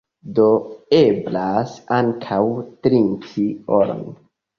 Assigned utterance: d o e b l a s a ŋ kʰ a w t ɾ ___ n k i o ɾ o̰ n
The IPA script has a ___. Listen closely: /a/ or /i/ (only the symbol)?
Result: i